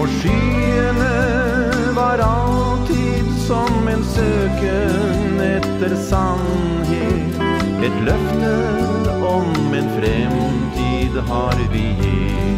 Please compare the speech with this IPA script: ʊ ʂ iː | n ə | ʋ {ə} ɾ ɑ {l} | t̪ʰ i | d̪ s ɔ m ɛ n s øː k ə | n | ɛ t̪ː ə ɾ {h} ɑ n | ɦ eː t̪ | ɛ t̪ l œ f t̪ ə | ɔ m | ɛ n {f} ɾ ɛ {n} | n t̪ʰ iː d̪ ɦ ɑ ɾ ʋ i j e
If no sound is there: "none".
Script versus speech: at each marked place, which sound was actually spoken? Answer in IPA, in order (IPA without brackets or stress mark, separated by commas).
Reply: ɑ, l, s, f, m